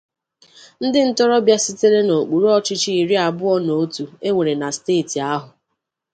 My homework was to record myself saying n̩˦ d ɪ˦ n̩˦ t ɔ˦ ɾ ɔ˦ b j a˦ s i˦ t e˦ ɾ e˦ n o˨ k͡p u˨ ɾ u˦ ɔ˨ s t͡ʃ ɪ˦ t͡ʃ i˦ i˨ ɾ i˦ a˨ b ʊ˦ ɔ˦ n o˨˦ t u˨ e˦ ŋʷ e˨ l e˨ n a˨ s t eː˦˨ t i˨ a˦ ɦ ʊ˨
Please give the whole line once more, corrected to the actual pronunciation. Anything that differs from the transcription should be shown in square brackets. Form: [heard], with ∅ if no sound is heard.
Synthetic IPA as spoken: n̩˦ d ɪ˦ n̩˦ t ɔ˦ ɾ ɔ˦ b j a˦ s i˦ t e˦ ɾ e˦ n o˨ k͡p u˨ ɾ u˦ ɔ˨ [∅] t͡ʃ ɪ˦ t͡ʃ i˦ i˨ ɾ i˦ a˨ b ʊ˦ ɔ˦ n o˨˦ t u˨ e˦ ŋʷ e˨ [ɾ] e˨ n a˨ s t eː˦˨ t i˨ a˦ ɦ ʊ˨